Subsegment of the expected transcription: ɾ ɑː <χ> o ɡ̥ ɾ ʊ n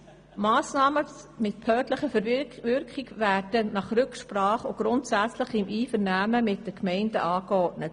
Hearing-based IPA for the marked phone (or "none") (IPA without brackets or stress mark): χ